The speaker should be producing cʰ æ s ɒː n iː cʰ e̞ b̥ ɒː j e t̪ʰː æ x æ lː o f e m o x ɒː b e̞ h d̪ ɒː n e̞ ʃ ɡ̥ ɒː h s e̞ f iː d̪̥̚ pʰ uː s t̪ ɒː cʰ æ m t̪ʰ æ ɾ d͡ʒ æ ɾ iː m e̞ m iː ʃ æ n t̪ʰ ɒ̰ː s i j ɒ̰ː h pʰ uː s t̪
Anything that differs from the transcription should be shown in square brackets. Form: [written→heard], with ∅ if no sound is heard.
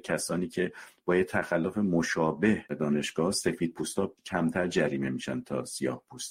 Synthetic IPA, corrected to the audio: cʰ æ s ɒː n iː cʰ e̞ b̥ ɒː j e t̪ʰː æ x æ lː o f e m o [x→ʃ] ɒː b e̞ h d̪ ɒː n e̞ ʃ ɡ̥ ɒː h s e̞ f iː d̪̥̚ pʰ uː s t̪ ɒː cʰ æ m t̪ʰ æ ɾ d͡ʒ æ ɾ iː m e̞ m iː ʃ æ n t̪ʰ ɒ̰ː s i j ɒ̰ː h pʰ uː s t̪